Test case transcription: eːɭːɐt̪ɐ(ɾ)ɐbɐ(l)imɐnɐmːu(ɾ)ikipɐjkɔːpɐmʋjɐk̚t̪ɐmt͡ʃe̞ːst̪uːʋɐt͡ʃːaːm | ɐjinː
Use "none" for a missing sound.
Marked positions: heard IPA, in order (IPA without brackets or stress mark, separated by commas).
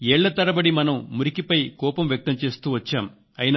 ɾ, ɽ, ɾ